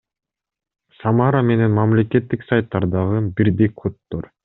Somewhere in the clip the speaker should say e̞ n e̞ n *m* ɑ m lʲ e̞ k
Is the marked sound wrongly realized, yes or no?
no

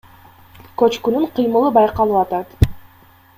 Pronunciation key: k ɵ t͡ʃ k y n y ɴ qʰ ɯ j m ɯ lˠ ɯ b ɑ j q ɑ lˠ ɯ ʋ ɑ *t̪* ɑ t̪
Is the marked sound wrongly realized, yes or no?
no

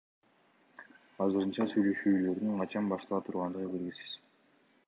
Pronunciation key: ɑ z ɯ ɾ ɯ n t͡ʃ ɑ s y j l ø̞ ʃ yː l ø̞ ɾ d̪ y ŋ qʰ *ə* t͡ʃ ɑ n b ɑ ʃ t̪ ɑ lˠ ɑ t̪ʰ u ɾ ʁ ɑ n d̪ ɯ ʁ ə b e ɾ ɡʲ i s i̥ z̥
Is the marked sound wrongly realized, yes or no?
yes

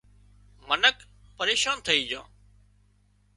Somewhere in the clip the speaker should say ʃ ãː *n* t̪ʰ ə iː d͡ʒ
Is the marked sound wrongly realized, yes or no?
no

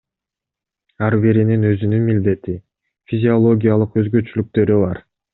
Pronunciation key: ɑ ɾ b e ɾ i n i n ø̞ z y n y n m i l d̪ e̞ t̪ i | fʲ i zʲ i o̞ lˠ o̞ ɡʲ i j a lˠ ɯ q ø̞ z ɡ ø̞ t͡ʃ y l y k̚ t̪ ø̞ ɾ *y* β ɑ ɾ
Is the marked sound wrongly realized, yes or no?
no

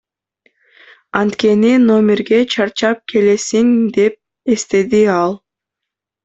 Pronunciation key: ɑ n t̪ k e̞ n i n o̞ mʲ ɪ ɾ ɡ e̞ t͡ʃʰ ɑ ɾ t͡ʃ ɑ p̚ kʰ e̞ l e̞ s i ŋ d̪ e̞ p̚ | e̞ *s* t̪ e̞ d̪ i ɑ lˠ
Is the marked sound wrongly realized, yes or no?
no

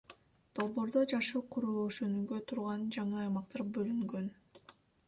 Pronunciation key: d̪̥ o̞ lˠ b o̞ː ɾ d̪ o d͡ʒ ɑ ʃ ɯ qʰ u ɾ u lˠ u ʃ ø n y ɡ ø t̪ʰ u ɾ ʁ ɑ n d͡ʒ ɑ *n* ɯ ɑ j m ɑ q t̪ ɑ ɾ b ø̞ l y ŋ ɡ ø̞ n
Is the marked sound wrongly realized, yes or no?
yes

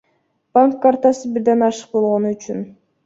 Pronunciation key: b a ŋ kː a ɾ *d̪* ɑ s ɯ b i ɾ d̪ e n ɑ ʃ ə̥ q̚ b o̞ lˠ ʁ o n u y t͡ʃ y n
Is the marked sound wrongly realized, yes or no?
yes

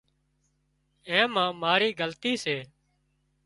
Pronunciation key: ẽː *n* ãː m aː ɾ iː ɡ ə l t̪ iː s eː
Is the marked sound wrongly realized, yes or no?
yes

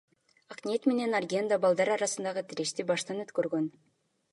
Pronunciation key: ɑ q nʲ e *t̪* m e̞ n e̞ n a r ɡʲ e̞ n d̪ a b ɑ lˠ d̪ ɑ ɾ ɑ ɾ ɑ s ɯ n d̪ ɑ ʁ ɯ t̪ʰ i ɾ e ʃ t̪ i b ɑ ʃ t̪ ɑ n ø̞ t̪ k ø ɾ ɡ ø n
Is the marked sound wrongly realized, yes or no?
no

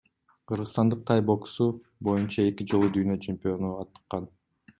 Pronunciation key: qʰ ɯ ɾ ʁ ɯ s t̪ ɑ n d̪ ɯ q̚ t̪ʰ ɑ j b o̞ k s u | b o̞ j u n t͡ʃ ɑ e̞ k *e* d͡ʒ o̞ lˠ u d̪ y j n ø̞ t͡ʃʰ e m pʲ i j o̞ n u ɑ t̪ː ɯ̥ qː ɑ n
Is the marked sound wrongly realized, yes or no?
yes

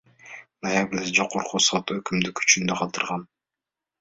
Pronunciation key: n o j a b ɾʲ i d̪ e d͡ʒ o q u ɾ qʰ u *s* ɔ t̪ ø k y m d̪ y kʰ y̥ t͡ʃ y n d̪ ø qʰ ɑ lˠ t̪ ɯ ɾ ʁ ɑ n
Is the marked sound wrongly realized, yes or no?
no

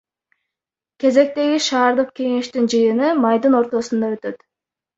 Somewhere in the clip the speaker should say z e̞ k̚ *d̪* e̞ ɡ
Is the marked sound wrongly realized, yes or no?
yes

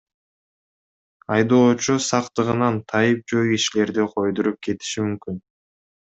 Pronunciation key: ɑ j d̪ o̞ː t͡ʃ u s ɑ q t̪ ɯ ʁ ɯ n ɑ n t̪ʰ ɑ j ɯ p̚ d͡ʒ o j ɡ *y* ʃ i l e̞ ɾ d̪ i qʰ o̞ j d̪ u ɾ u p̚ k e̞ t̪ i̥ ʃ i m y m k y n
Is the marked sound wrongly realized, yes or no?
yes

